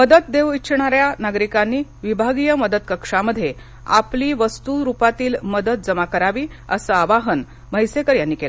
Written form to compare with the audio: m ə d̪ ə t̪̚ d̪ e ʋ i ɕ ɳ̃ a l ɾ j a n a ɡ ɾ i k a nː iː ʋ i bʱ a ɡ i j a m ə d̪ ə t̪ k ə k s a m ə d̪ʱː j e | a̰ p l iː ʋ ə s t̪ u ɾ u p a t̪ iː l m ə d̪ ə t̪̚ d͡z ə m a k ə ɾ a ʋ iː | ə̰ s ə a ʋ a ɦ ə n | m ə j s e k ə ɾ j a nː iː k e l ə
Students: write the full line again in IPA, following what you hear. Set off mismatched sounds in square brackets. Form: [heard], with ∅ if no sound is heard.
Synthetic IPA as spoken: m ə d̪ ə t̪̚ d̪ e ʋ i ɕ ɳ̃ a [∅] ɾ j a n a ɡ ɾ i k a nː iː ʋ i bʱ a ɡ i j [ə] m ə d̪ ə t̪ k ə k [ʂ] a m ə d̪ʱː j e | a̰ p l iː ʋ ə s t̪ u ɾ u p a t̪ iː l m ə d̪ ə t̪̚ d͡z ə m a k ə ɾ a ʋ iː | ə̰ s ə a ʋ a ɦ ə n | m ə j s e k ə ɾ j a nː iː k e l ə